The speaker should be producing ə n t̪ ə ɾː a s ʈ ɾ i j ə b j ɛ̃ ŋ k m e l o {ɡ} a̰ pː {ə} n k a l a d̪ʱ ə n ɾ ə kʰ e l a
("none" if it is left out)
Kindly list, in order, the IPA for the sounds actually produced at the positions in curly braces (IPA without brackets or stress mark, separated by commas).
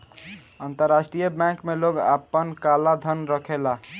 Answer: ɡ, ə